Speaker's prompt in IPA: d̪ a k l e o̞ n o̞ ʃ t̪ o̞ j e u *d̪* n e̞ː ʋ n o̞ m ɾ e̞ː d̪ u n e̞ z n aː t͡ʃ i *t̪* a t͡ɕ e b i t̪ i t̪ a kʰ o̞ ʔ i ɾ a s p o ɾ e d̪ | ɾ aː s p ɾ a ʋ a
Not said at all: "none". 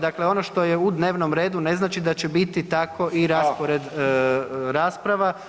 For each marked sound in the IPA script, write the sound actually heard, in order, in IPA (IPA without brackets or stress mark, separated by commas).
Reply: d̪, d̪